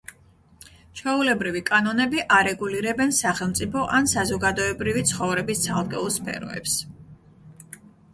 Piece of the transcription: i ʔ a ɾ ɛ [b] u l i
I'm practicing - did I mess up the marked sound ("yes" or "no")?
yes